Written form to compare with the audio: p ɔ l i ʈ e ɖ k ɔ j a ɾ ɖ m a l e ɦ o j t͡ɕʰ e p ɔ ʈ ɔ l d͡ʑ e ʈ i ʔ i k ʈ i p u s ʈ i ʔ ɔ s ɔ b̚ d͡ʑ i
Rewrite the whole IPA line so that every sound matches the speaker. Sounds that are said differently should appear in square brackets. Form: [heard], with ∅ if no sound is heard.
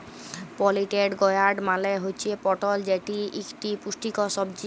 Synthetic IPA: p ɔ l i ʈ e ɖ [ɡ] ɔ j a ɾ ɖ m a l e ɦ o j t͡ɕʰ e p ɔ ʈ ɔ l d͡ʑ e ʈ i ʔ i k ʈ i p u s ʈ i [k] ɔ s ɔ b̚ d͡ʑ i